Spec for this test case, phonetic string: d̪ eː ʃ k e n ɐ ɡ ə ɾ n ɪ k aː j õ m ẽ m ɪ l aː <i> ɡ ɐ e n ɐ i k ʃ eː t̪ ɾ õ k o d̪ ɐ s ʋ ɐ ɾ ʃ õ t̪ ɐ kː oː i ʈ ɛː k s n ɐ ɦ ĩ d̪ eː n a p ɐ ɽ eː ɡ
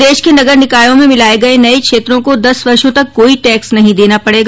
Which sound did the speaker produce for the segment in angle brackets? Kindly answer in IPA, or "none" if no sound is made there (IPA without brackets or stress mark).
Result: e